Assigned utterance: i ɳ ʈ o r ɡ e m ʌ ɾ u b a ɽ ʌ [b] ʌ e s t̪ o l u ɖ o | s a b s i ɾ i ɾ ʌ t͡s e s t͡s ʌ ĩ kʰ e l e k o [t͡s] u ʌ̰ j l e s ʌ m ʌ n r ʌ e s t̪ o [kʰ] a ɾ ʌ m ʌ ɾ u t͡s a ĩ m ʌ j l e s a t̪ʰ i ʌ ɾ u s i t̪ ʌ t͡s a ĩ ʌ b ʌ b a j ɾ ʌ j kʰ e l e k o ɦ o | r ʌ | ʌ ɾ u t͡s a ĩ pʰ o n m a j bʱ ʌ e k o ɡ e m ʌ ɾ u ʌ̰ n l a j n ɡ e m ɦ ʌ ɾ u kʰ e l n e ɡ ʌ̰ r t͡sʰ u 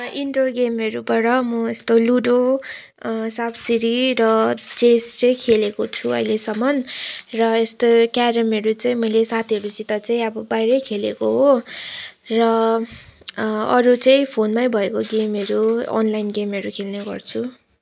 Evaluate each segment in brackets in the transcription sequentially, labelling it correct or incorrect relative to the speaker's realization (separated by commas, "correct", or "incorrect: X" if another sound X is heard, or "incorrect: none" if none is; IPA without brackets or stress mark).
incorrect: m, incorrect: t͡sʰ, incorrect: k